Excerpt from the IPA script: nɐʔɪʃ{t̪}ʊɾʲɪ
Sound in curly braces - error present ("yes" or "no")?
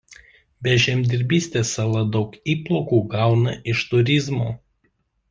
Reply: no